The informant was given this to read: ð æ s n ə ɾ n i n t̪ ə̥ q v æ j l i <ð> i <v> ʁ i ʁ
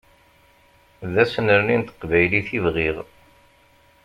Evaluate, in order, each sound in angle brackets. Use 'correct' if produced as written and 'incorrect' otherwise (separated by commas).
incorrect, correct